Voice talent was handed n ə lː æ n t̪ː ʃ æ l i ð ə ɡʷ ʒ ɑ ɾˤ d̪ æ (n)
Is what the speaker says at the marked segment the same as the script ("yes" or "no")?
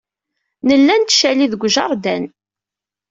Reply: yes